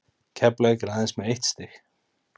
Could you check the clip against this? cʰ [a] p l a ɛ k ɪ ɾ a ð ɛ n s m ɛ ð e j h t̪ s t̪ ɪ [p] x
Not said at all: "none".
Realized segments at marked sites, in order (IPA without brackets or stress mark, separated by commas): ɛ, none